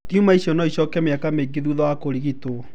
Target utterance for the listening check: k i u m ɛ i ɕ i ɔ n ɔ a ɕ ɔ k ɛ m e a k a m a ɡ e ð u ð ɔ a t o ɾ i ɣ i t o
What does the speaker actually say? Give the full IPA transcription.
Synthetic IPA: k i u m a i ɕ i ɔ n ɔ i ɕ ɔ k ɛ m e a k a m e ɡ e ð u ð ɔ a k o ɾ i ɣ i t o